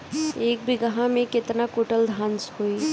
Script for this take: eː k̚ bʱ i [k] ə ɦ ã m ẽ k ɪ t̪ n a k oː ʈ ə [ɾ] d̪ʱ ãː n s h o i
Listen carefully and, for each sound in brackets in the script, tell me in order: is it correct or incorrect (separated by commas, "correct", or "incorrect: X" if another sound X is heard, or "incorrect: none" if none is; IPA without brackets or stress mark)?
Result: incorrect: ɡ, incorrect: l